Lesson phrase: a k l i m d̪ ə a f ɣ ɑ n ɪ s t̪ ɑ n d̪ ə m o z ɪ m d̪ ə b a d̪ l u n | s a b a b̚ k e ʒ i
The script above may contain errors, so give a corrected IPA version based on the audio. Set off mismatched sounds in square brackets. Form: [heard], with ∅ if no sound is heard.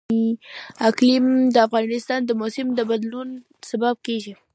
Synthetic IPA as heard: a k l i m d̪ ə a f ɣ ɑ n ɪ s t̪ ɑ n d̪ ə m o [s] ɪ m d̪ ə b a d̪ l u n | s a b a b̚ k e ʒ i